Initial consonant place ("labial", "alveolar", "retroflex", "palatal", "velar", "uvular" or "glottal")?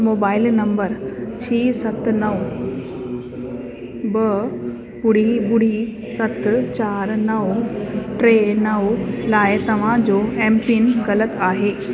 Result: labial